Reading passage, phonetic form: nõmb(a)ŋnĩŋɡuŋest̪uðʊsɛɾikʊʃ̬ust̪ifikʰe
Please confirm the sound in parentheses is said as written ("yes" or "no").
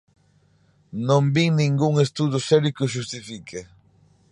no